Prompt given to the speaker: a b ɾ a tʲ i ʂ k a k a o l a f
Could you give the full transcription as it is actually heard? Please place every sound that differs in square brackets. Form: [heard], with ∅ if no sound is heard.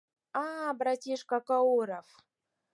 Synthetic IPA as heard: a b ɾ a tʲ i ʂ k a k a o [ɾ] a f